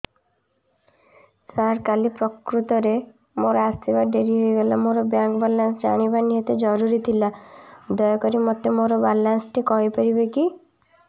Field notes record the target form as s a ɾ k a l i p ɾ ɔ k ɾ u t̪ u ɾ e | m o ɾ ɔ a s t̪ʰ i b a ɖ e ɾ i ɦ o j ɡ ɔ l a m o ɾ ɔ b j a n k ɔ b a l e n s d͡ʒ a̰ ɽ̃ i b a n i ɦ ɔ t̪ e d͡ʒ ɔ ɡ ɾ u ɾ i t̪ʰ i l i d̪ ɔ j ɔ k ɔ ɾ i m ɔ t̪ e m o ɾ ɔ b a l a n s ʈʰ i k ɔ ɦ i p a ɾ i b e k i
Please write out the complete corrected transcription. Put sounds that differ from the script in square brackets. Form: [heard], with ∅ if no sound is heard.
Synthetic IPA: s a ɾ k a l i p ɾ ɔ k ɾ u t̪ [ɔ] ɾ e | m o ɾ ɔ a s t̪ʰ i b a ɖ e ɾ i ɦ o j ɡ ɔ l a m o ɾ ɔ b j a [ŋ] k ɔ b a l [a] n s d͡ʒ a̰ ɽ̃ i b a n i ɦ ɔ t̪ e d͡ʒ ɔ [∅] ɾ u ɾ i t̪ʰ i l [a] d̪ ɔ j ɔ k ɔ ɾ i m ɔ t̪ e m o ɾ ɔ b a l a n s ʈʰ i k ɔ ɦ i p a ɾ i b e k i